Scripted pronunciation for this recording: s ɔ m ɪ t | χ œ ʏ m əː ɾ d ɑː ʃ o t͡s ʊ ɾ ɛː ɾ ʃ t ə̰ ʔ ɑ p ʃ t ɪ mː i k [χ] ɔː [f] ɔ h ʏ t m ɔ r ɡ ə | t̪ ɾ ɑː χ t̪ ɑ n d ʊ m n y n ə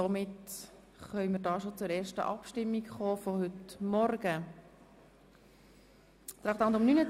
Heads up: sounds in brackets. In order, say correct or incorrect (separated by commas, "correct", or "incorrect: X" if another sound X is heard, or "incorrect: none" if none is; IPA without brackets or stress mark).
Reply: correct, correct